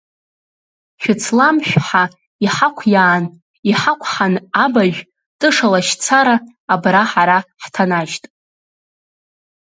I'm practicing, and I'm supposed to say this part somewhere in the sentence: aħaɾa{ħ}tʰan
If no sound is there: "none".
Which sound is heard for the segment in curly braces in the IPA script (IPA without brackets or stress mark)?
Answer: ħ